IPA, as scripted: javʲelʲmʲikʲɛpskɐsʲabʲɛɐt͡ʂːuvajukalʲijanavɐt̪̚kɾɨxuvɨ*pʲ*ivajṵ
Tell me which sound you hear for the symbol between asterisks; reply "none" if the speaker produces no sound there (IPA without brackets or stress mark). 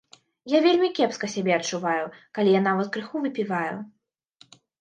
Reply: pʲ